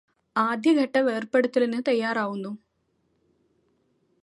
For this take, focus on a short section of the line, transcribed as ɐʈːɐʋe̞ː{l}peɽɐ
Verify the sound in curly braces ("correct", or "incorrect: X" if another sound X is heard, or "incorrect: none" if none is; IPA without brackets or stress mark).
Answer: incorrect: r